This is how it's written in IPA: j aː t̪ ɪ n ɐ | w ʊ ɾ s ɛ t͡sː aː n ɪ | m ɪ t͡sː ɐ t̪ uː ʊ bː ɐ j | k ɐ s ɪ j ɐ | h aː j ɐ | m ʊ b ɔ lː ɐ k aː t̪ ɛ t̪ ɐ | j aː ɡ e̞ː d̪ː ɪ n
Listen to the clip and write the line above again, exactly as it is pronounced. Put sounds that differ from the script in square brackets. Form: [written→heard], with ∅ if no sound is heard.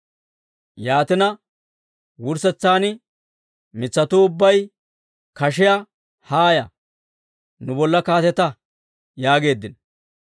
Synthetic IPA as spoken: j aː t̪ ɪ n ɐ | w ʊ ɾ s ɛ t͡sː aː n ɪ | m ɪ t͡sː ɐ t̪ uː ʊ bː ɐ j | k ɐ [s→ʃ] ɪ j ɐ | h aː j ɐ | [m→n] ʊ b ɔ lː ɐ k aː t̪ ɛ t̪ ɐ | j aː ɡ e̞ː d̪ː ɪ n